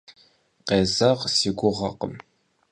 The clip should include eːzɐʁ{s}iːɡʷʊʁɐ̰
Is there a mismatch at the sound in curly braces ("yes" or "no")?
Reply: no